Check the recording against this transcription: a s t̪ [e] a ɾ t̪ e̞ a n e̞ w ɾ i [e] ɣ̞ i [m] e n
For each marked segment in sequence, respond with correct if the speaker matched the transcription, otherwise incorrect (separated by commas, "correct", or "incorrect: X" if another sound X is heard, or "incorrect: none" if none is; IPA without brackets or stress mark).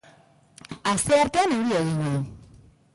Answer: correct, correct, incorrect: ɲ